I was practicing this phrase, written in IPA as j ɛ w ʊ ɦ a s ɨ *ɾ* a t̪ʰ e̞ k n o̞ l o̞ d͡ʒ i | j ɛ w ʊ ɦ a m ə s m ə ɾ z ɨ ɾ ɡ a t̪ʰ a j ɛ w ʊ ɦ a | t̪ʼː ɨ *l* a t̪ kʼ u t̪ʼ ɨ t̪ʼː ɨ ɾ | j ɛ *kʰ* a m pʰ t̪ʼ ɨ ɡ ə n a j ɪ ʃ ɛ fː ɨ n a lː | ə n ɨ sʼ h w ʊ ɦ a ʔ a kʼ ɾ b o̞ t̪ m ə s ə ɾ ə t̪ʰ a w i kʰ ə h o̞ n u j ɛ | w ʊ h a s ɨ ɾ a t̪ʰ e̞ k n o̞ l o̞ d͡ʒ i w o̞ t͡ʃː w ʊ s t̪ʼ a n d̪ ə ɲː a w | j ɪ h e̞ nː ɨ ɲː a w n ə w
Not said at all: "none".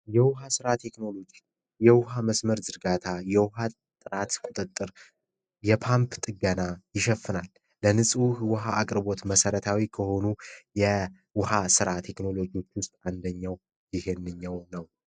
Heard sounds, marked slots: ɾ, ɾ, pʰ

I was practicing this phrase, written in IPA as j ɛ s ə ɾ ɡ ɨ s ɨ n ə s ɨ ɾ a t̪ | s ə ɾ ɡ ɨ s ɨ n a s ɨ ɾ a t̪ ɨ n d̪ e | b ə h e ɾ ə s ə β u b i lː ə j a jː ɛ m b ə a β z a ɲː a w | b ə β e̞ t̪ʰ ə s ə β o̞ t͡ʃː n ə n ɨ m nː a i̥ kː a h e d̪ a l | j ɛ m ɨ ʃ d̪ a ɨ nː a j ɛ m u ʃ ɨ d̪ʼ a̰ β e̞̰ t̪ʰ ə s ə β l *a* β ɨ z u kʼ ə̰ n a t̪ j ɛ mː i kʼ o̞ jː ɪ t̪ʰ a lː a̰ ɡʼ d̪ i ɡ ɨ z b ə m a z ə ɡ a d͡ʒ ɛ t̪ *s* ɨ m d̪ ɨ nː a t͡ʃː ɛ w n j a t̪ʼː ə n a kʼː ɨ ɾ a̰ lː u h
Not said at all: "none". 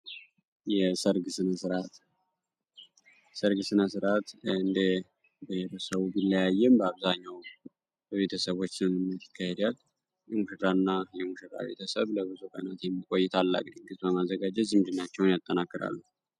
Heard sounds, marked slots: ə, z

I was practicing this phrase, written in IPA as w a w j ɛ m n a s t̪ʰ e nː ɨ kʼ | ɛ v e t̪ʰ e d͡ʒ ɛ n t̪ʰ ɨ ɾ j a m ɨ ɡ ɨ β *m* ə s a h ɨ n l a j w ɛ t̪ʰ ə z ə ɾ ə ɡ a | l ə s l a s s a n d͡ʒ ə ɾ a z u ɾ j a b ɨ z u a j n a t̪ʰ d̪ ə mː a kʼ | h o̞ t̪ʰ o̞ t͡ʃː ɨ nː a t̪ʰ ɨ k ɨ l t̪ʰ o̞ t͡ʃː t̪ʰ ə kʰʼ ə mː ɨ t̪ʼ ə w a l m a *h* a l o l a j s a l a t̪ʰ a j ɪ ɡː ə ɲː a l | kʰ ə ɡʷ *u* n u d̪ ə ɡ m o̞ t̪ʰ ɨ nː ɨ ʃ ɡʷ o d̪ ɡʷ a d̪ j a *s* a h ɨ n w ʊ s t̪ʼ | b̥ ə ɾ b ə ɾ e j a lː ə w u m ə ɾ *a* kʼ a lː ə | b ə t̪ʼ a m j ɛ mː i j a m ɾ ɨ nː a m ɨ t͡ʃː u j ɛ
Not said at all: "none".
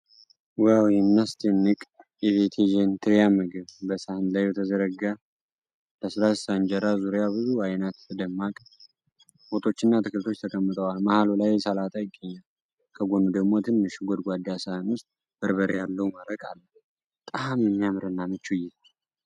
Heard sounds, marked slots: b, h, o, s, ə

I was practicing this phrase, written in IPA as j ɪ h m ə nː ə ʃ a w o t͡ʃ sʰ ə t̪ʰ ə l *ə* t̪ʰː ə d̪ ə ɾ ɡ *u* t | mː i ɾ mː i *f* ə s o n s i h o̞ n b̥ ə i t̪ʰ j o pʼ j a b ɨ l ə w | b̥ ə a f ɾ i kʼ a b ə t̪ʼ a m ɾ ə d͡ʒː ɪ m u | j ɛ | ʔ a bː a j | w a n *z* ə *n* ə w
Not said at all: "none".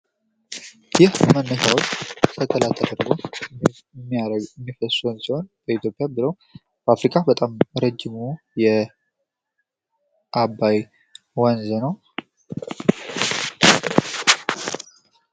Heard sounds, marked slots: a, o, f, z, n

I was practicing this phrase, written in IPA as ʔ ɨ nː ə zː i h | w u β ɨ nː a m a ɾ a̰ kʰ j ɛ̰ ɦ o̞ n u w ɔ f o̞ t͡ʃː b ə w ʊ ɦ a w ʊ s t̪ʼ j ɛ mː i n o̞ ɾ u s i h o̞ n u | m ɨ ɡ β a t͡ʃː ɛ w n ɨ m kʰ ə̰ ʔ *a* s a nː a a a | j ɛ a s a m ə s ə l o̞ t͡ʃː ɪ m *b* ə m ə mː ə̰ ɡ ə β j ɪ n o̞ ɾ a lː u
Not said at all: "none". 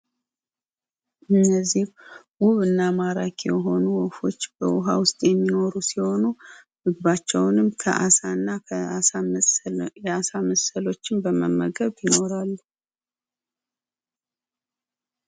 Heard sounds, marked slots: a, b

